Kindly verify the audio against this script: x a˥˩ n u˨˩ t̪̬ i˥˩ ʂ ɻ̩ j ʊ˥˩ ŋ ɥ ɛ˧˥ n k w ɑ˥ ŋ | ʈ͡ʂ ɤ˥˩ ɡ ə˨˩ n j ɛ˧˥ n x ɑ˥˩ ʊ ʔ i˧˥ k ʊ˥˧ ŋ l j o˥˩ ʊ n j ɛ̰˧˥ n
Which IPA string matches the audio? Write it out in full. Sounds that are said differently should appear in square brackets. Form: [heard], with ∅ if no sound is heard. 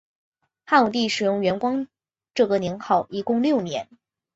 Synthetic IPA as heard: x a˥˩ n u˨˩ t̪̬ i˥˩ ʂ ɻ̩ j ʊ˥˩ ŋ ɥ ɛ˧˥ n k w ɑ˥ ŋ | ʈ͡ʂ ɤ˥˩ ɡ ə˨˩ n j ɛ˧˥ n x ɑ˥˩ ʊ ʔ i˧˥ k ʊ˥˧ ŋ l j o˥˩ ʊ n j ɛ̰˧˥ n